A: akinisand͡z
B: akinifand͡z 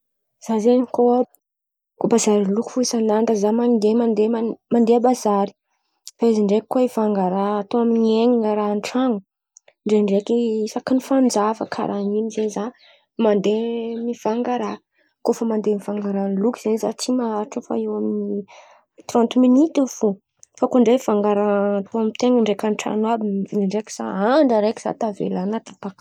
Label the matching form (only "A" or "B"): B